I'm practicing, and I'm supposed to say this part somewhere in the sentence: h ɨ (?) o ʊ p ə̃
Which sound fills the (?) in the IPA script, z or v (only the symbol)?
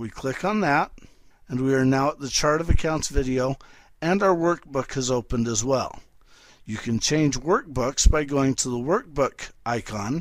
z